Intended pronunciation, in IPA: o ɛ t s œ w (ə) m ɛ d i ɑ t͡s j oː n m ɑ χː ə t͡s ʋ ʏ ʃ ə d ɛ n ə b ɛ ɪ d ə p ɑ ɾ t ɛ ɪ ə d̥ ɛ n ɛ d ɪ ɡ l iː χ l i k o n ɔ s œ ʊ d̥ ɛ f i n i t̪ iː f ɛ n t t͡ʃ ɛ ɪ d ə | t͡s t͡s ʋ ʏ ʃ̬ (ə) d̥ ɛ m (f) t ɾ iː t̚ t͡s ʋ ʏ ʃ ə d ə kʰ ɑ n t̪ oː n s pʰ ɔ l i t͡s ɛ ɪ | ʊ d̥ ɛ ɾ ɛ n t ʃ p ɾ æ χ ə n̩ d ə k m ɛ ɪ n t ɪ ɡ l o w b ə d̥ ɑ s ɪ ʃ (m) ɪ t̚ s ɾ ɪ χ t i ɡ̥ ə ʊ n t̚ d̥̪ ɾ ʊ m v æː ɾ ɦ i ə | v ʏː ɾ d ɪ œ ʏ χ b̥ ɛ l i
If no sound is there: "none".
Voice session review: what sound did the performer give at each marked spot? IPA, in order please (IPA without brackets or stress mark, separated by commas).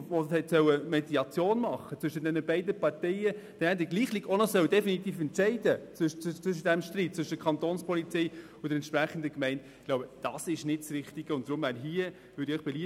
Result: ə, ə, ʃ, n